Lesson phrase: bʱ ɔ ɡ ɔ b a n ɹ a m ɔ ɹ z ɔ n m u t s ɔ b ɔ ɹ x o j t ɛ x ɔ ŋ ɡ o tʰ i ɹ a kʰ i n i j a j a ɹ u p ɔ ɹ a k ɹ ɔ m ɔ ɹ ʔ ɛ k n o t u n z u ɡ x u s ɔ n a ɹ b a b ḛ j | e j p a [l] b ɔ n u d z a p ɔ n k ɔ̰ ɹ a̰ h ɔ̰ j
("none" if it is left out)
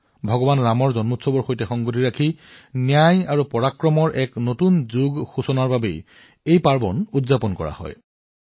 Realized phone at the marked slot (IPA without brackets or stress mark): ɹ